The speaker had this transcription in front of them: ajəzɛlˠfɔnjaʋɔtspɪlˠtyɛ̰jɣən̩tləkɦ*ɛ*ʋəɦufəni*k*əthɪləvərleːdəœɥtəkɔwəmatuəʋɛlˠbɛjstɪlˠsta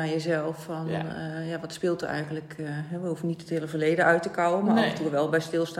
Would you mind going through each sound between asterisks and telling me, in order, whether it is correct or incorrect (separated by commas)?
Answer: correct, incorrect